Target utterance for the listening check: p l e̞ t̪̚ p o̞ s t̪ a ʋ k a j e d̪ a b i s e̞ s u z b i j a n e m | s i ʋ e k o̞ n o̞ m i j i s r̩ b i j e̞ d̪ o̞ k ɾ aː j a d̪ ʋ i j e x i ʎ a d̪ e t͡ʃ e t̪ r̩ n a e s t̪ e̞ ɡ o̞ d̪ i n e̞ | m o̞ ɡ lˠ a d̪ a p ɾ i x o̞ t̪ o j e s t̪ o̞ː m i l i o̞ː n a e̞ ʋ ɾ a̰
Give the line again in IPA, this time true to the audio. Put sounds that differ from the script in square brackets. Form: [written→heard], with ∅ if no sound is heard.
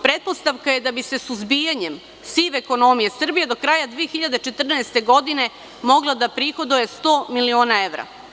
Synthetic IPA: p [l→ɾ] e̞ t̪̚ p o̞ s t̪ a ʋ k a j e d̪ a b i s e̞ s u z b i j a [n→ɲ] e m | s i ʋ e k o̞ n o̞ m i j [i→e] s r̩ b i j e̞ d̪ o̞ k ɾ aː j a d̪ ʋ i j e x i ʎ a d̪ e t͡ʃ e t̪ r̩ n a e s t̪ e̞ ɡ o̞ d̪ i n e̞ | m o̞ ɡ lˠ a d̪ a p ɾ i x o̞ [t̪→d̪] o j e s t̪ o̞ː m i l i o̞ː n a e̞ ʋ ɾ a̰

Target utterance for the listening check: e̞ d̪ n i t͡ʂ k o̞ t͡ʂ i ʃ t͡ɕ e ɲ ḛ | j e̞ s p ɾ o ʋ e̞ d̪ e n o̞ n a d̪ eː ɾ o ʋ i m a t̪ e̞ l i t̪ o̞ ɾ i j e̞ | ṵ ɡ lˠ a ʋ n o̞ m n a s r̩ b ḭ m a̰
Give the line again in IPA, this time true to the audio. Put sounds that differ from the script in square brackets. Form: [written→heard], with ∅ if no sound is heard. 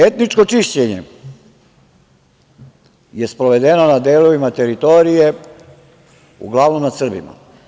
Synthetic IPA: e̞ [d̪→t̪] n i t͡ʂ k o̞ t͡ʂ i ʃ t͡ɕ e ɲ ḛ | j e̞ s p ɾ o ʋ e̞ d̪ e n o̞ n a d̪ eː [ɾ→l] o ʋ i m a t̪ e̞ [l→ɾ] i t̪ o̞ ɾ i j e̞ | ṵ ɡ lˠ a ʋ n o̞ m n a s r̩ b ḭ m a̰

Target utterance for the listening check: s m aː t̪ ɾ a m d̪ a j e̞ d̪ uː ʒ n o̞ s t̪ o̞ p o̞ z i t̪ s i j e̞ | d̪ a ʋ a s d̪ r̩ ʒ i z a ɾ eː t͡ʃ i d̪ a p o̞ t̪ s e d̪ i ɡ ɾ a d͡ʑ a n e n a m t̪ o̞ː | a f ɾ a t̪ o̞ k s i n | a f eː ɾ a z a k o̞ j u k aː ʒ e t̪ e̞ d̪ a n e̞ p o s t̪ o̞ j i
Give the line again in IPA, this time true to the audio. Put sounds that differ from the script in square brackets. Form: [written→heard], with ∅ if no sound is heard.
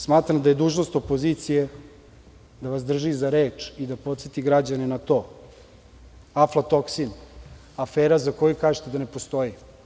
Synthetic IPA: s m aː t̪ ɾ a m d̪ a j e̞ d̪ uː ʒ n o̞ s t̪ o̞ p o̞ z i t̪ s i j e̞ | d̪ a ʋ a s d̪ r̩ ʒ i z a ɾ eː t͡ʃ i d̪ a p o̞ t̪ s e [d̪→t̪] i ɡ ɾ a d͡ʑ a n e n a [m→∅] t̪ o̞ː | a f [ɾ→l] a t̪ o̞ k s i n | a f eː ɾ a z a k o̞ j u k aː ʒ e t̪ e̞ d̪ a n e̞ p o s t̪ o̞ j i

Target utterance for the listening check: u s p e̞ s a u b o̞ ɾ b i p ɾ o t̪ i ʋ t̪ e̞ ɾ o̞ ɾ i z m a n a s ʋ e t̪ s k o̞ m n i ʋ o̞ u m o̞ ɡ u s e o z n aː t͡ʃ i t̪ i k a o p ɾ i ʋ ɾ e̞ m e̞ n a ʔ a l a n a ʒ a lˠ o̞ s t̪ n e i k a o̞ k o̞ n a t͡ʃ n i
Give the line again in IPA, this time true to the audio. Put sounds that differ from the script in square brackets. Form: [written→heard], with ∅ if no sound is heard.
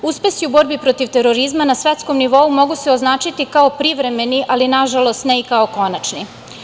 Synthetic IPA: u s p e̞ s [a→i] u b o̞ ɾ b i p ɾ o t̪ i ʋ t̪ e̞ ɾ o̞ ɾ i z m a n a s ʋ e t̪ s k o̞ m n i ʋ o̞ u m o̞ ɡ u s e o z n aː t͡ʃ i t̪ i k a o p ɾ i ʋ ɾ e̞ m e̞ n [a→i] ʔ a l [a→i] n a ʒ a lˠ o̞ s t̪ n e i k a o̞ k o̞ n a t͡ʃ n i

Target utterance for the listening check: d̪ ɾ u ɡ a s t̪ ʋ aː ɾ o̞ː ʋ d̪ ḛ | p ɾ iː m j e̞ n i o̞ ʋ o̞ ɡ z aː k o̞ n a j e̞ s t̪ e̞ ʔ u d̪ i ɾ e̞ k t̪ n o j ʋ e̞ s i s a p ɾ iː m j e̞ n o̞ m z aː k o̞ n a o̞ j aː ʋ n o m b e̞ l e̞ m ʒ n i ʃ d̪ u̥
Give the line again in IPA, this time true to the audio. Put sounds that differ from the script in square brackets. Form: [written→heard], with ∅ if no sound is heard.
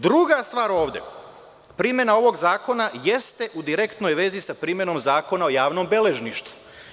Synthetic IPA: d̪ ɾ u ɡ a s t̪ ʋ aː ɾ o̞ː ʋ d̪ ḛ | p ɾ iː m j e̞ n [i→a] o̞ ʋ o̞ ɡ z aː k o̞ n a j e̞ s t̪ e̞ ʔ u d̪ i ɾ e̞ k t̪ n o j ʋ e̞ [s→z] i s a p ɾ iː m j e̞ n o̞ m z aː k o̞ n a o̞ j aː ʋ n o m b e̞ l e̞ [m→∅] ʒ n i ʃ [d̪→t̪] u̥

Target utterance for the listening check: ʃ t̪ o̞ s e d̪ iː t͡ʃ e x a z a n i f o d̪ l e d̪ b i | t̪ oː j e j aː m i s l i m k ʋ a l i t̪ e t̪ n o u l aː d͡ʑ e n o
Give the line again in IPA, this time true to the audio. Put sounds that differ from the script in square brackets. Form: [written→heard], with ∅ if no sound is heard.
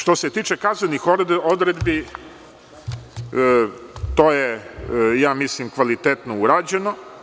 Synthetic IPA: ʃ t̪ o̞ s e [d̪→t̪] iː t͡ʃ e [x→k] a z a n i [f→x] o d̪ [l→ɾ] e d̪ b i | t̪ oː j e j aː m i s l i m k ʋ a l i t̪ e t̪ n o u [l→ɾ] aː d͡ʑ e n o

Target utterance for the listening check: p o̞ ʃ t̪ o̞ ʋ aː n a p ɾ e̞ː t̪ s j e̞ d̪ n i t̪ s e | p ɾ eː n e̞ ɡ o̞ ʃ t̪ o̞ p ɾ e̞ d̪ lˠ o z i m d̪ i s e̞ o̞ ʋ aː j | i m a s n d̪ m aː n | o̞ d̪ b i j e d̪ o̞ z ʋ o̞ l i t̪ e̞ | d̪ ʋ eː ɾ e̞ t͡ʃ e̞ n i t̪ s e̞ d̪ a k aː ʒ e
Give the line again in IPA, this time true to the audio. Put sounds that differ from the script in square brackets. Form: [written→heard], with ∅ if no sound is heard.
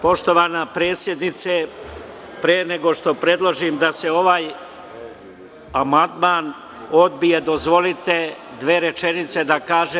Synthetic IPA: p o̞ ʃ t̪ o̞ ʋ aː n a p ɾ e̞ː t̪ s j e̞ d̪ n i t̪ s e | p ɾ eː n e̞ ɡ o̞ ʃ t̪ o̞ p ɾ e̞ d̪ lˠ o [z→ʒ] i m d̪ [i→a] s e̞ o̞ ʋ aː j | [i→a] m a [s→∅] n d̪ m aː n | o̞ d̪ b i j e d̪ o̞ z ʋ o̞ l i t̪ e̞ | d̪ ʋ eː ɾ e̞ t͡ʃ e̞ n i t̪ s e̞ d̪ a k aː ʒ e

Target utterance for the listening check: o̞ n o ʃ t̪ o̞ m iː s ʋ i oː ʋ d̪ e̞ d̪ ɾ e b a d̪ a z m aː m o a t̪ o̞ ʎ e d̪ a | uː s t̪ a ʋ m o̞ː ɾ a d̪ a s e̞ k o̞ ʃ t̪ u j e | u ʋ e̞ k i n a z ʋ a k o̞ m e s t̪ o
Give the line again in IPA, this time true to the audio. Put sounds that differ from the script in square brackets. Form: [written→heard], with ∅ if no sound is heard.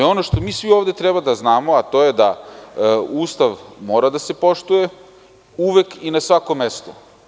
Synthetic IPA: o̞ n o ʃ t̪ o̞ m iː s ʋ i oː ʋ d̪ e̞ [d̪→t̪] ɾ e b a d̪ a z [m→n] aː m o a t̪ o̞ [ʎ→j] e d̪ a | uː s t̪ a ʋ m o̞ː ɾ a d̪ a s e̞ [k→p] o̞ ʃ t̪ u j e | u ʋ e̞ k i n a [z→s] ʋ a k o̞ m e s t̪ o

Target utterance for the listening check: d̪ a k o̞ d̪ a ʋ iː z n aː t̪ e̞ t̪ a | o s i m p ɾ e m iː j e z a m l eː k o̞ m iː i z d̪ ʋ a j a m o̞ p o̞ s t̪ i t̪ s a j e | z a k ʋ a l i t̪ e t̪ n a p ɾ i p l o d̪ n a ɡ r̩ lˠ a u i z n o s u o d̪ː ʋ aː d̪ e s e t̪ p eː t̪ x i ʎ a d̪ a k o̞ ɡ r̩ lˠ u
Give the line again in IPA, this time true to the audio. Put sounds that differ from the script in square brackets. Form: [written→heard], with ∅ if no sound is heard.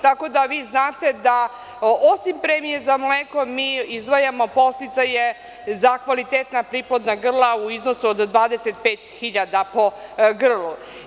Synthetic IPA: [d̪→t̪] a k o̞ d̪ a ʋ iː z n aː t̪ e̞ [t̪→d̪] a | o s i m p ɾ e m [iː→i] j e z a m l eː k o̞ m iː i z d̪ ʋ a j a m o̞ p o̞ s t̪ i t̪ s a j e | z a k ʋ a l i t̪ e t̪ n a p ɾ i p l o d̪ n a ɡ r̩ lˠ a u i z n o s u o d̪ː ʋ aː d̪ e s e t̪ p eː t̪ x i ʎ a d̪ a [k→p] o̞ ɡ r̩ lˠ u

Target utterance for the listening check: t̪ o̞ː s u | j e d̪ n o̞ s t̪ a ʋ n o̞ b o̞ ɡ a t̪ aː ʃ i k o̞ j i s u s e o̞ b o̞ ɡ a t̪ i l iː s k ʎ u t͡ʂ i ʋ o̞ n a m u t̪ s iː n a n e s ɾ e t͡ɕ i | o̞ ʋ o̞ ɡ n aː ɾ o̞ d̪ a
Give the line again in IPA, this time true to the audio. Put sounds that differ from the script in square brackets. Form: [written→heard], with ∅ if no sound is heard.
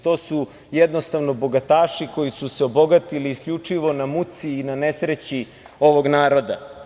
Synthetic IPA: t̪ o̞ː s u | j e d̪ n o̞ s t̪ a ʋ n o̞ b o̞ ɡ a t̪ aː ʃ i k o̞ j i s u s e o̞ b o̞ ɡ a t̪ i l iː s k ʎ u t͡ʂ i ʋ o̞ n a m u t̪ s iː n a n e s ɾ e t͡ɕ i | o̞ ʋ o̞ ɡ n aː ɾ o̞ d̪ a

